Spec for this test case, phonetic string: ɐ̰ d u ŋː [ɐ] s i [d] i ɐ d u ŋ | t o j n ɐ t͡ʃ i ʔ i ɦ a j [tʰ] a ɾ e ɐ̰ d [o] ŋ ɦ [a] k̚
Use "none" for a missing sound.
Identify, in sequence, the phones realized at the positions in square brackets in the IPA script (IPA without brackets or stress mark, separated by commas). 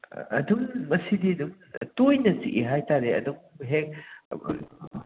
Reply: ɐ, d, t, u, e